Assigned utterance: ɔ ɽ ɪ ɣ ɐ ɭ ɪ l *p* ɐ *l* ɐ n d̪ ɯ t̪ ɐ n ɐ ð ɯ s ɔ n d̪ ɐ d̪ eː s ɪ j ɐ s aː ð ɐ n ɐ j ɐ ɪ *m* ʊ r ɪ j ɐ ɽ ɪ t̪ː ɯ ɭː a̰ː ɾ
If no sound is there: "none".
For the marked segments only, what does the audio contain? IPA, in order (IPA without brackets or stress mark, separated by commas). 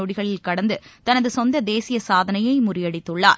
k, ɽ, m